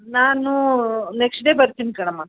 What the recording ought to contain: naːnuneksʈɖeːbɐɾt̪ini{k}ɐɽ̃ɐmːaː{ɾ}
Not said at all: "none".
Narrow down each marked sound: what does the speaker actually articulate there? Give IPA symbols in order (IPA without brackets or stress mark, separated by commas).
k, none